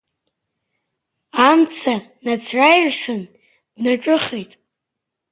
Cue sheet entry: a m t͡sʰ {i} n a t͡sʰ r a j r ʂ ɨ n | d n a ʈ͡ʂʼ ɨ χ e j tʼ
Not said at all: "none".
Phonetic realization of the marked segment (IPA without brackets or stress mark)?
a